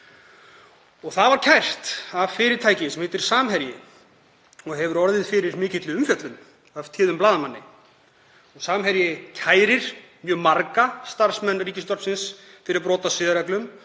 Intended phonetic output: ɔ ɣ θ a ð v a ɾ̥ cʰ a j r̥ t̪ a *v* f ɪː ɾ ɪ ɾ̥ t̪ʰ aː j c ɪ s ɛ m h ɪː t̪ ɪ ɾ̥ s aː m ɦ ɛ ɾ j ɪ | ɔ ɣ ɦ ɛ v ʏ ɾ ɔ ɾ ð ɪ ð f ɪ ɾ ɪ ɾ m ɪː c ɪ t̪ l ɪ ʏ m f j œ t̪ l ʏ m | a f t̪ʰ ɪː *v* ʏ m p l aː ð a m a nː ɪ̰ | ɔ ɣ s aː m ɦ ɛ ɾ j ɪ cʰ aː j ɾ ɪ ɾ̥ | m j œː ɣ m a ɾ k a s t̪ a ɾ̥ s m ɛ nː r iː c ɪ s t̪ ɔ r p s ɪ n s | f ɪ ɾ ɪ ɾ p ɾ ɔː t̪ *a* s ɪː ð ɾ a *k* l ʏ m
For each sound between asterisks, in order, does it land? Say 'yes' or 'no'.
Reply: yes, no, yes, yes

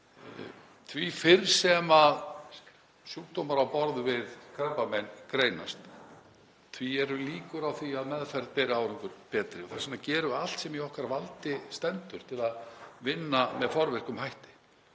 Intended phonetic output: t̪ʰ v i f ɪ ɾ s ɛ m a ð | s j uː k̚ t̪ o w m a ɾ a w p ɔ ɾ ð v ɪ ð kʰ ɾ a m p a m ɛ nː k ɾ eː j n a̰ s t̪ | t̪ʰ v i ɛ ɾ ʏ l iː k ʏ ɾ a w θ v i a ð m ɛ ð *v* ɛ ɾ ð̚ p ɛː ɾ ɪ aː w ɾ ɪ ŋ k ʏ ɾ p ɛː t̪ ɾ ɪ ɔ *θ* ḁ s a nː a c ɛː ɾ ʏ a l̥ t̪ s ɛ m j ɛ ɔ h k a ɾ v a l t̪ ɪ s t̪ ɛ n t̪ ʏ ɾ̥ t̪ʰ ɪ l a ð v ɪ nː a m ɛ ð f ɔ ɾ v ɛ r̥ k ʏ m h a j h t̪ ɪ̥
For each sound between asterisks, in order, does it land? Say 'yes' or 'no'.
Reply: no, yes

